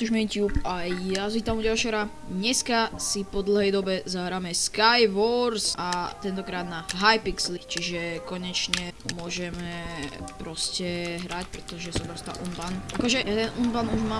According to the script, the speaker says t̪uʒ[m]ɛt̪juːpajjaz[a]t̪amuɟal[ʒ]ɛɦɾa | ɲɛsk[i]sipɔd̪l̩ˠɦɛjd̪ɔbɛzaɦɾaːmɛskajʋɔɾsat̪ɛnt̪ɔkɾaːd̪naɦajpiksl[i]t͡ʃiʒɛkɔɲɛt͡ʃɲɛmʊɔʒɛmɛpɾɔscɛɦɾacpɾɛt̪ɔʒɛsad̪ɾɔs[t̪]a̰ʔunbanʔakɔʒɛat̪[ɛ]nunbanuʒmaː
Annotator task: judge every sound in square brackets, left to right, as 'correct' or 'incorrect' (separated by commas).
correct, incorrect, incorrect, incorrect, correct, correct, correct